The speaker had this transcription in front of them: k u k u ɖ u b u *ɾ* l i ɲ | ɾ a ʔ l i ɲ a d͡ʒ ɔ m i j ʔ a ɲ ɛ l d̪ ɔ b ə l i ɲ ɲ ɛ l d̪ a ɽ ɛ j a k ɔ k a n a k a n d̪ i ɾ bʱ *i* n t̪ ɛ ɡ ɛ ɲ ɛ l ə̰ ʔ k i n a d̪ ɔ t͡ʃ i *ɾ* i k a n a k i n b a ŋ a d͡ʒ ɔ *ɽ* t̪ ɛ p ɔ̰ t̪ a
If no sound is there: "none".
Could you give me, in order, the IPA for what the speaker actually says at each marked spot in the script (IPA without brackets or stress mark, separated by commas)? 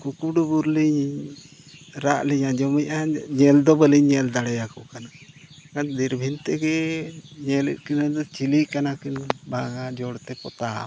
ɾ, i, l, ɽ